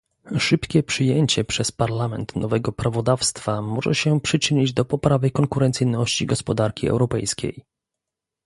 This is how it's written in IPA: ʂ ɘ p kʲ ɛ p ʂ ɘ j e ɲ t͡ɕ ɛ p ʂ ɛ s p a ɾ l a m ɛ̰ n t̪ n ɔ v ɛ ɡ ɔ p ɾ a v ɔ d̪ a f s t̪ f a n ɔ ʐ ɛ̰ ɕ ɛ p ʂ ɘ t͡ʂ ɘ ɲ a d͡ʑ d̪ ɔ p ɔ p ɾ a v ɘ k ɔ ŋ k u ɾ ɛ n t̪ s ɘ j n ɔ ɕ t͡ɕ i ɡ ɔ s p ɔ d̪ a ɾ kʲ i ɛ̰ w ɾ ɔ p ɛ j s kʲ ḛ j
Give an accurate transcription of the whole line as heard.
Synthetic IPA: ʂ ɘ p kʲ ɛ p ʂ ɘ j e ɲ t͡ɕ ɛ p ʂ ɛ s p a ɾ l a m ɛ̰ n t̪ n ɔ v ɛ ɡ ɔ p ɾ a v ɔ d̪ a f s t̪ f a m ɔ ʐ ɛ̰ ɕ ɛ p ʂ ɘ t͡ʂ ɘ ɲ i d͡ʑ d̪ ɔ p ɔ p ɾ a v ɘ k ɔ ŋ k u ɾ ɛ n t̪ s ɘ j n ɔ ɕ t͡ɕ i ɡ ɔ s p ɔ d̪ a ɾ kʲ i ɛ̰ w ɾ ɔ p ɛ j s kʲ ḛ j

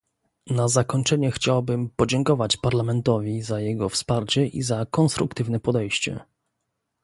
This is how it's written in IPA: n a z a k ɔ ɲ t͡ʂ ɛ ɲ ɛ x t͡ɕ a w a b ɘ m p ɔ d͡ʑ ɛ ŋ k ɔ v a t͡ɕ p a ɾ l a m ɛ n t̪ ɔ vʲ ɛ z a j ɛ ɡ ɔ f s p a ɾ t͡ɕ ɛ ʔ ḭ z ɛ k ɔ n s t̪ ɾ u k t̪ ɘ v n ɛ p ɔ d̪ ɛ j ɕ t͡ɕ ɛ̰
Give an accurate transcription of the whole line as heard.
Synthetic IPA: n a z a k ɔ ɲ t͡ʂ ɛ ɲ ɛ x t͡ɕ a w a b ɘ m p ɔ d͡ʑ ɛ ŋ k ɔ v a t͡ɕ p a ɾ l a m ɛ n t̪ ɔ vʲ i z a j ɛ ɡ ɔ f s p a ɾ t͡ɕ ɛ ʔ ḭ z a k ɔ n s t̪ ɾ u k t̪ ɘ v n ɛ p ɔ d̪ ɛ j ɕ t͡ɕ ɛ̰

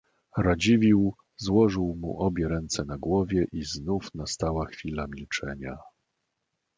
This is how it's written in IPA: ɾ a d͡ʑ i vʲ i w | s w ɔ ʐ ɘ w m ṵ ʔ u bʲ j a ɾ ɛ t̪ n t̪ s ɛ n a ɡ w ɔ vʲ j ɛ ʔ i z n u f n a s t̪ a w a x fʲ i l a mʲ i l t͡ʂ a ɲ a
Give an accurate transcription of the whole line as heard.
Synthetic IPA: ɾ a d͡ʑ i vʲ i w | z w ɔ ʐ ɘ w m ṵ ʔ ɔ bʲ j ɛ ɾ ɛ n t̪ s ɛ n a ɡ w ɔ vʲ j ɛ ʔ i z n u f n a s t̪ a w a x fʲ i l a mʲ i l t͡ʂ ɛ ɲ a

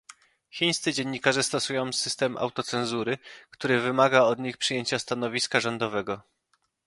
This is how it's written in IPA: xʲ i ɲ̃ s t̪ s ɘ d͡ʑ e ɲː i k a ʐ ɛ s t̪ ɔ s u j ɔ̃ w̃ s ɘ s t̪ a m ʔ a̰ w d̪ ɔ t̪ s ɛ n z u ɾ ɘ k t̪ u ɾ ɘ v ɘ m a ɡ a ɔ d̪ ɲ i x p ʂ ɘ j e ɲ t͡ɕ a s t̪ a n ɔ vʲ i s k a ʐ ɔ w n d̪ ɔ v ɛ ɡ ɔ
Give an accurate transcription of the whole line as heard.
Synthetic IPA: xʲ i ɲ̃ s t̪ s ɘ d͡ʑ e ɲː i k a ʐ ɛ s t̪ ɔ s u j ɔ̃ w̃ s ɘ s t̪ ɛ m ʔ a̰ w t̪ ɔ t̪ s ɛ n z u ɾ ɘ k t̪ u ɾ ɘ v ɘ m a ɡ a ɔ d̪ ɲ i x p ʂ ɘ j e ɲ t͡ɕ a s t̪ a n ɔ vʲ i s k a ʐ ɔ n d̪ ɔ v ɛ ɡ ɔ

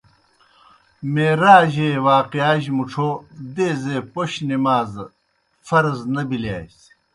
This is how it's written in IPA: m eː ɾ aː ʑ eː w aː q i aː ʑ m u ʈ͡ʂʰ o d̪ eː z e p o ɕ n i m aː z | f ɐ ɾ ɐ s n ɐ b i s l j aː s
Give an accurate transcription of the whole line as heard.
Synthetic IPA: m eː ɾ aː ʑ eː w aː q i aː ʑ m u ʈ͡ʂʰ o d̪ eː z e p o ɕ n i m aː z | f ɐ ɾ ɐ z n ɐ b i l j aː s

